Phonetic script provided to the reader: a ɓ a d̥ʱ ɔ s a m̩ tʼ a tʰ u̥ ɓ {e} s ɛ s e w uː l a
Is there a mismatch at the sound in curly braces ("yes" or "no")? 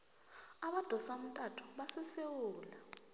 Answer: yes